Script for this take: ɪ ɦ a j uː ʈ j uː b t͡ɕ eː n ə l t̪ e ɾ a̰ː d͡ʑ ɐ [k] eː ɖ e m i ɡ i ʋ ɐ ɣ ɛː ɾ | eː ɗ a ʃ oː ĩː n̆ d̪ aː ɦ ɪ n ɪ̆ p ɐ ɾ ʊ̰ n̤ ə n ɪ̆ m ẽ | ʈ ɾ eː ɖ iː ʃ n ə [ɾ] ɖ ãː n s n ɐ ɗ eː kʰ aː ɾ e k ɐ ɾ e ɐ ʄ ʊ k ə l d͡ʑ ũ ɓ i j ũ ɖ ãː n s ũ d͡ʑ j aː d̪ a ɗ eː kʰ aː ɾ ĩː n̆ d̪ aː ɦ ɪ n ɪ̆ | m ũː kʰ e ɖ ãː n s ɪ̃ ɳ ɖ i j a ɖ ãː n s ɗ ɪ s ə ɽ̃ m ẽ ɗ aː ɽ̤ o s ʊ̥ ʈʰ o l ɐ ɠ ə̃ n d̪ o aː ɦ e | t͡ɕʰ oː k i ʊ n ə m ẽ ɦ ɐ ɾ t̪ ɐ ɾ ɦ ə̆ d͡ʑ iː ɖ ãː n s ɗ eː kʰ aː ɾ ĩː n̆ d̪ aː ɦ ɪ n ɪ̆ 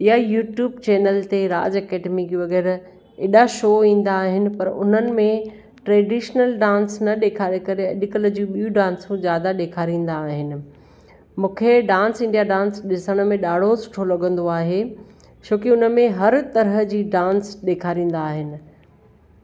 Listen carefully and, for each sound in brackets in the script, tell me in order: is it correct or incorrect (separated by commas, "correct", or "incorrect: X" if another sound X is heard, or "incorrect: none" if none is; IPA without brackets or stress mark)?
correct, incorrect: l